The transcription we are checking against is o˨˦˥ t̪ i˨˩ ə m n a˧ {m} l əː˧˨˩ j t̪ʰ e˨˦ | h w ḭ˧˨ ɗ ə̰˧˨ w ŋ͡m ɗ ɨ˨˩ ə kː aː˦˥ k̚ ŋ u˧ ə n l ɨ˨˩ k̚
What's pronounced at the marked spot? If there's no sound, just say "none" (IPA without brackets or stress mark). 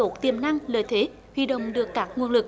ŋ